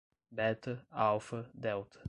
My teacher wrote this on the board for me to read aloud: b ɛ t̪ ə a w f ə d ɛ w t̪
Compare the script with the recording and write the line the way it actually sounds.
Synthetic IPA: b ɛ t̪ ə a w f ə d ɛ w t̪